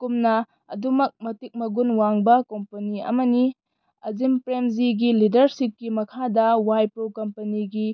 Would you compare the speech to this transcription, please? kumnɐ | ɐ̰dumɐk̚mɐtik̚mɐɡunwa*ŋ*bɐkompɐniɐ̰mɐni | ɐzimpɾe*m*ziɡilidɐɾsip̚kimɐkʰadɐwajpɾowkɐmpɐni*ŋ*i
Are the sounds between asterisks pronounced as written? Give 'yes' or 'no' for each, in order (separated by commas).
yes, yes, no